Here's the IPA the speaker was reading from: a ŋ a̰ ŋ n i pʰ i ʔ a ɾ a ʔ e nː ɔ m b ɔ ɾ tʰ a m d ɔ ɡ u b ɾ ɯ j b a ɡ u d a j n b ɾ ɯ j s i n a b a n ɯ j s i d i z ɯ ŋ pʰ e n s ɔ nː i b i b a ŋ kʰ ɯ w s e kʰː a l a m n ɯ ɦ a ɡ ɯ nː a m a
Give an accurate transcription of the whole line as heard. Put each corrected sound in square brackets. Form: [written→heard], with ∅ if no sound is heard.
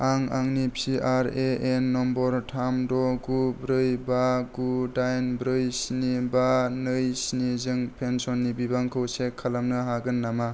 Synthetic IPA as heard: a ŋ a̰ ŋ n i pʰ i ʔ a ɾ [a→e] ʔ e nː ɔ m b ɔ ɾ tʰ a m d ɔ ɡ u b ɾ ɯ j b a ɡ u d a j n b ɾ ɯ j s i n [a→i] b a n ɯ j s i [d→n] i z ɯ ŋ pʰ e n s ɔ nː i b i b a ŋ kʰ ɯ w s e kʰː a l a m n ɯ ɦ a ɡ ɯ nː a m a